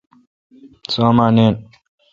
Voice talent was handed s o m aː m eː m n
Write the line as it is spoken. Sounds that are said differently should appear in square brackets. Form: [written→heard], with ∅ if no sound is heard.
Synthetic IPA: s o m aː [m→n] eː [m→∅] n